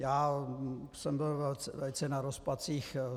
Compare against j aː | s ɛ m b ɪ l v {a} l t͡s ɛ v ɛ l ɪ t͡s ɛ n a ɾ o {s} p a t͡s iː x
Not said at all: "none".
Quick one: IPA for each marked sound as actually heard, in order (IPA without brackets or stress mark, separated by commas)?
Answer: ɛ, s